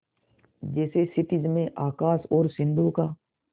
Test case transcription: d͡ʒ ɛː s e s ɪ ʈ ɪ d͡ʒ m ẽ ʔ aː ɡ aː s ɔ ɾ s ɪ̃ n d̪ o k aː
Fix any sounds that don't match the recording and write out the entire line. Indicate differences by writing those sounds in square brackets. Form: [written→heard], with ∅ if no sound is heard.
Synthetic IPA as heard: d͡ʒ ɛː s e s ɪ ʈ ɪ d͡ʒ m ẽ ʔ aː [ɡ→k] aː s [ɔ→ɔː] ɾ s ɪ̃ n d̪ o k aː

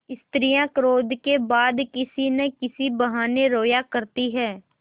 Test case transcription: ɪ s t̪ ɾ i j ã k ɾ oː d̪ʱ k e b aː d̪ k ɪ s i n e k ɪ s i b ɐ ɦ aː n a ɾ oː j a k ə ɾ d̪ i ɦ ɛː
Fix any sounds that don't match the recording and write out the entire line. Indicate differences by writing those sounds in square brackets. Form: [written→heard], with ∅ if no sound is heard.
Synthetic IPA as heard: ɪ s t̪ ɾ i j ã k ɾ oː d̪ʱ k e b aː d̪ k ɪ s i n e k ɪ s i b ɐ ɦ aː n [a→e] ɾ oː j a k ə ɾ [d̪→t̪] i ɦ ɛː

